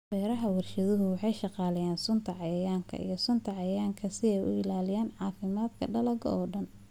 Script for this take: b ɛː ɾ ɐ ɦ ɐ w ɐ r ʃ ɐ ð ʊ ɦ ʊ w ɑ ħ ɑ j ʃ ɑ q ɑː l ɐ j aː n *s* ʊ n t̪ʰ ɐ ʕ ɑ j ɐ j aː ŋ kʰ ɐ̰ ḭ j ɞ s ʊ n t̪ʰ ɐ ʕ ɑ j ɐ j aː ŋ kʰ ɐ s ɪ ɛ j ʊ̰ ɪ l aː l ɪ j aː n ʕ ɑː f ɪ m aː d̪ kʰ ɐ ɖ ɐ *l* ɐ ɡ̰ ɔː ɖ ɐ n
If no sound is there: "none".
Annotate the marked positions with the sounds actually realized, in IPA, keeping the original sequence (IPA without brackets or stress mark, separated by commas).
s, l